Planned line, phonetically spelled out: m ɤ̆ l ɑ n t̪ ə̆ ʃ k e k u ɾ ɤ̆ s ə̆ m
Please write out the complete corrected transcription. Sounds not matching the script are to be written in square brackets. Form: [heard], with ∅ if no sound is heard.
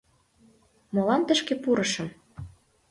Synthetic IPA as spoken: m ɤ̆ l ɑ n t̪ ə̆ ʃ k e [p] u ɾ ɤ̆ [ʃ] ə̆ m